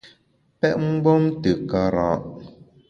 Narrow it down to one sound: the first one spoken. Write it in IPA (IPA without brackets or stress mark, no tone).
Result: p